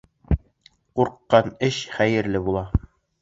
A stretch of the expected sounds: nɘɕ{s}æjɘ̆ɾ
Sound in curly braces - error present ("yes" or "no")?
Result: yes